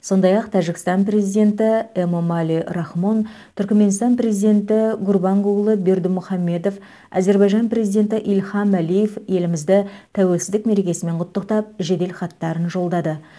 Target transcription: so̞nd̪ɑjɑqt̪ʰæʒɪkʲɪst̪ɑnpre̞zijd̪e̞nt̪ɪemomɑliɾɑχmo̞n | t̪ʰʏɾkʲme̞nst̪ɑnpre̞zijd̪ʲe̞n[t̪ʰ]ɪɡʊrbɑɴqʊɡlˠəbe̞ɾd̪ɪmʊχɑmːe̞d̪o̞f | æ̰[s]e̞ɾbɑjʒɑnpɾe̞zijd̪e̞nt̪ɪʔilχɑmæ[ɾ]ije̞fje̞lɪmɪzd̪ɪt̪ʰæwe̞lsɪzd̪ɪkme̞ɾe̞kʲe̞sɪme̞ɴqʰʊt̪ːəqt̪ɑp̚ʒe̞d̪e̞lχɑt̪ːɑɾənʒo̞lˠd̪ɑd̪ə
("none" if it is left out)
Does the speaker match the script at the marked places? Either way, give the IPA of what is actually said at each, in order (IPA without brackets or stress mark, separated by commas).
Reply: t̪, z, l